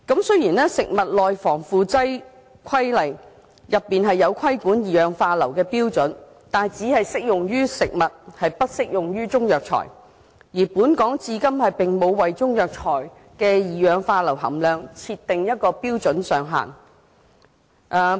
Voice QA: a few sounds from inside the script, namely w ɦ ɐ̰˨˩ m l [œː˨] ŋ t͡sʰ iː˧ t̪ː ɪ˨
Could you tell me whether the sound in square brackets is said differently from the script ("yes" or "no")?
no